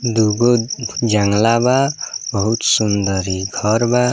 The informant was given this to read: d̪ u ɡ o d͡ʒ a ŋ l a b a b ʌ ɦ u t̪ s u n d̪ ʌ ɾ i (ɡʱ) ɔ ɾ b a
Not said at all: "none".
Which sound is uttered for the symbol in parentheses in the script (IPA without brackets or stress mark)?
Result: ɡʱ